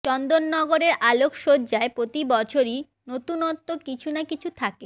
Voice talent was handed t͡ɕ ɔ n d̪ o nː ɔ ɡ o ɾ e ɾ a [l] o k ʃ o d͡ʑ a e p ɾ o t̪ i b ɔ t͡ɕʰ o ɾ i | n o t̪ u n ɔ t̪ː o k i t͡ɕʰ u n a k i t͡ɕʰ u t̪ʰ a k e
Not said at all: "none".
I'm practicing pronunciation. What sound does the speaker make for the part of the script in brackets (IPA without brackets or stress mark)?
l